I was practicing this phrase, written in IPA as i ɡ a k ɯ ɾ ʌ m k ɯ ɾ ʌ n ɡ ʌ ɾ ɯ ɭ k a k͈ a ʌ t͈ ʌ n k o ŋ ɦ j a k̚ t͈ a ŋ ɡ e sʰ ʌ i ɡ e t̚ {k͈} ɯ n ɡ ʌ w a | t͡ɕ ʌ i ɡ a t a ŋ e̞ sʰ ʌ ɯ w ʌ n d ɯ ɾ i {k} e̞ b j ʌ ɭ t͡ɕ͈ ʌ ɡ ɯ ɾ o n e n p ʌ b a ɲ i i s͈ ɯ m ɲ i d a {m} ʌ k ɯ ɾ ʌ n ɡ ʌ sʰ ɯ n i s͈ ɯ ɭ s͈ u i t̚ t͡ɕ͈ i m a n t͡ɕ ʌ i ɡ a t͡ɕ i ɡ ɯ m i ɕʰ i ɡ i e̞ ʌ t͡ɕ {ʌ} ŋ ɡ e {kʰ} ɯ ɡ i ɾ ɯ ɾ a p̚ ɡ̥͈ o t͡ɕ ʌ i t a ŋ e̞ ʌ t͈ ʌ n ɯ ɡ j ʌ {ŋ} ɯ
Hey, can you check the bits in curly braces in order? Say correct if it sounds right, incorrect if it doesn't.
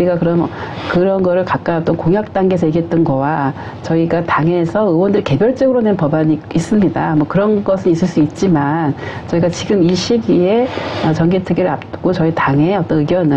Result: incorrect: t͈, correct, correct, correct, incorrect: tʰ, incorrect: n

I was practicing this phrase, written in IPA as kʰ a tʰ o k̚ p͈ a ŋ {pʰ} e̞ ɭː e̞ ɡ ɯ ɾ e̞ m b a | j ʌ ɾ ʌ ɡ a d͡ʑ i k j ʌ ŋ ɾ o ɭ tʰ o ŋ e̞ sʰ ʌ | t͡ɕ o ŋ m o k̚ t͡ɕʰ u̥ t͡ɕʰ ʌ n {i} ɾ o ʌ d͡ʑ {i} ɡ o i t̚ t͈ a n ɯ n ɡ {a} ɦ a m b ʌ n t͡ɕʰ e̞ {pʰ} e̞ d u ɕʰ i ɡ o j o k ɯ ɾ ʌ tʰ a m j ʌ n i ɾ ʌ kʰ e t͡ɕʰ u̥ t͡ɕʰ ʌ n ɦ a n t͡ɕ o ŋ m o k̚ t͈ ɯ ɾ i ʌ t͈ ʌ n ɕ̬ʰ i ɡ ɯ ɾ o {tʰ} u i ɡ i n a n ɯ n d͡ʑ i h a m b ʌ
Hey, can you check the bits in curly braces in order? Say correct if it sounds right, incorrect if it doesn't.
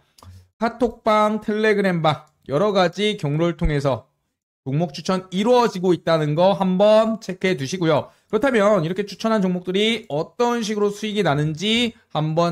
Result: incorrect: tʰ, correct, correct, incorrect: ʌ, incorrect: kʰ, incorrect: sʰ

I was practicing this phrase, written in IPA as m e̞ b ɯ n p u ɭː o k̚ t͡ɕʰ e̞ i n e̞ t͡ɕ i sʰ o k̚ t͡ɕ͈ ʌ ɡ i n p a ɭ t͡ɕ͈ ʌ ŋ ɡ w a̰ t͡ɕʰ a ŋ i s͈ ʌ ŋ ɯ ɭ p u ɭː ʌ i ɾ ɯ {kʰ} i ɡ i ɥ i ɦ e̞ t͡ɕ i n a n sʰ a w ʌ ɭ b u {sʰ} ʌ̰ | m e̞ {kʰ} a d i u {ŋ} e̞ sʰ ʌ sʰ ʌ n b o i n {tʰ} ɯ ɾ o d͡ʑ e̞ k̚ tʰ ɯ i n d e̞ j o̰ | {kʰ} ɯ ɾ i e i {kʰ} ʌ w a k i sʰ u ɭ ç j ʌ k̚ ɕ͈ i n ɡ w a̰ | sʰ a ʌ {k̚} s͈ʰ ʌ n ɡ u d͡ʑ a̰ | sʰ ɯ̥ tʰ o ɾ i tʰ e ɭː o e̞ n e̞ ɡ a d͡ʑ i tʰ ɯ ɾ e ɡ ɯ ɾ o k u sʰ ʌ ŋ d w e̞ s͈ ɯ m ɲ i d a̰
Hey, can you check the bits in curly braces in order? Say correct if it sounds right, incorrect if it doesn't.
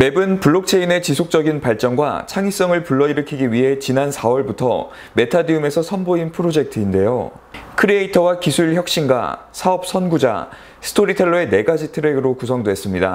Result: correct, incorrect: tʰ, incorrect: tʰ, incorrect: m, incorrect: pʰ, correct, incorrect: tʰ, incorrect: p̚

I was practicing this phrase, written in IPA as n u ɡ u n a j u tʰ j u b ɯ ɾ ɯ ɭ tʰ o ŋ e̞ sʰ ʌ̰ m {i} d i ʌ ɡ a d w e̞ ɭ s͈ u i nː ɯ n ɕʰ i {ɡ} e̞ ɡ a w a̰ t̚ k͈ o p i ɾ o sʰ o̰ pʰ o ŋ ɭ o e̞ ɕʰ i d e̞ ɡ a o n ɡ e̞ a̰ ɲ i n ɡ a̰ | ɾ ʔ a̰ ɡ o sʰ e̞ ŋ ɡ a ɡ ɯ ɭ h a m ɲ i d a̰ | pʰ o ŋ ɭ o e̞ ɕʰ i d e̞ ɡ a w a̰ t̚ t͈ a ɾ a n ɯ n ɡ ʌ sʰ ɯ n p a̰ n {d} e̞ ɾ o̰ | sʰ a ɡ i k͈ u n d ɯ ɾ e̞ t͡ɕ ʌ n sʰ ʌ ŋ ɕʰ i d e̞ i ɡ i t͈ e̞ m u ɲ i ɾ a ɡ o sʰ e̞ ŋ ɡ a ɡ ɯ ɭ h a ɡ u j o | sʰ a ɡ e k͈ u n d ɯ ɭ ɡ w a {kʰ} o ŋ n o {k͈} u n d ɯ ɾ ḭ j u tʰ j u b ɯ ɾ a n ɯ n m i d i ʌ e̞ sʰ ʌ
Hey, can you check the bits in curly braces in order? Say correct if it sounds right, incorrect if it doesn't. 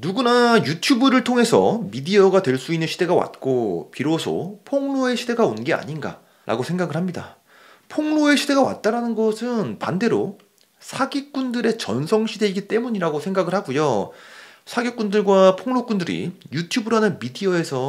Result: correct, incorrect: d, correct, incorrect: pʰ, correct

